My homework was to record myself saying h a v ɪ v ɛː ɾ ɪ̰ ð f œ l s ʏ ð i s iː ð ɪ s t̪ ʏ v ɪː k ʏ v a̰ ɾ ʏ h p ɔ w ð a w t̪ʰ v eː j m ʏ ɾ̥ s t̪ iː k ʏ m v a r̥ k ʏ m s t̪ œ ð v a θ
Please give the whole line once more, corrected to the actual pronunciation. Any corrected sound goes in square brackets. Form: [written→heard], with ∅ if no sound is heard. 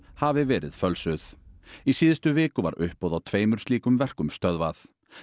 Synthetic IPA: h a v ɪ v ɛː ɾ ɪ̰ ð f œ l s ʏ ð i s iː ð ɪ s t̪ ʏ v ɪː k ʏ v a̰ ɾ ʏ h p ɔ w ð a w t̪ʰ v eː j m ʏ ɾ̥ s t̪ iː k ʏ m v [a→ɛ] r̥ k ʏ m s t̪ œ ð v a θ